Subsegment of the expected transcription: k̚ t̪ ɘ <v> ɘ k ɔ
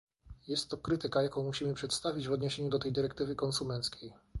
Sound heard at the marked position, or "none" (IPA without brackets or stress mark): v